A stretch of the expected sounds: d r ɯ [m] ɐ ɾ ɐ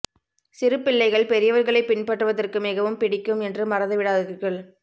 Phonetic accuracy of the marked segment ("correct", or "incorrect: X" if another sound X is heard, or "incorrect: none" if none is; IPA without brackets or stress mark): correct